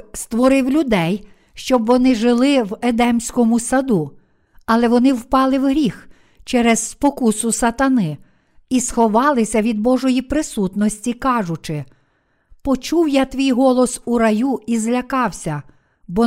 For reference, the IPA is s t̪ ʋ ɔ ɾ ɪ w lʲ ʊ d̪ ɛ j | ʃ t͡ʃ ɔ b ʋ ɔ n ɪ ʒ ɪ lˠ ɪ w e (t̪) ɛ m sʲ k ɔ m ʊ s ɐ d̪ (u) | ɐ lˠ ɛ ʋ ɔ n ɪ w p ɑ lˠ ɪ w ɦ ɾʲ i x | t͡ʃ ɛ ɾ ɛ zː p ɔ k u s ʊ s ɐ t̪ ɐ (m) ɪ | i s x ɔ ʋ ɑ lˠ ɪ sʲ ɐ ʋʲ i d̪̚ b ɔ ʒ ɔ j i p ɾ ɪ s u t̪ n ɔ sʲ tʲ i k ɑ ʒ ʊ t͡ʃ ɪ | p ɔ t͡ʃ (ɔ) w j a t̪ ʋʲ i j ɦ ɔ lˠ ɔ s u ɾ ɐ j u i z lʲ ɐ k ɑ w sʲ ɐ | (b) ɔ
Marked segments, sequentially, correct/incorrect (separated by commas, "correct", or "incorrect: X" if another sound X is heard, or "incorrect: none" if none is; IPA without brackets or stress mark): incorrect: d̪, correct, incorrect: n, incorrect: u, correct